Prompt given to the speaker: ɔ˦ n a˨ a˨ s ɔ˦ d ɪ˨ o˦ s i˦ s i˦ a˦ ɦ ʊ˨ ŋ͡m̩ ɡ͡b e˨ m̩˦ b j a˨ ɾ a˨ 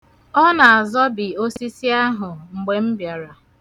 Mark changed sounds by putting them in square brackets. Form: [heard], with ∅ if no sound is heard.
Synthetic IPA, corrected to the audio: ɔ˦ n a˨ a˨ [z] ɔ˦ [b] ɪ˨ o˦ s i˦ s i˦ a˦ ɦ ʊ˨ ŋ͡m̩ ɡ͡b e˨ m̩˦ b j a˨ ɾ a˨